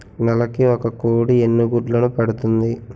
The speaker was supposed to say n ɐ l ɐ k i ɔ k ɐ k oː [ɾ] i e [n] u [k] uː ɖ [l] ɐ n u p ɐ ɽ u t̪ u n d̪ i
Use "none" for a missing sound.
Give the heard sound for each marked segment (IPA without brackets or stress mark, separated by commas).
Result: ɽ, nː, ɡ, l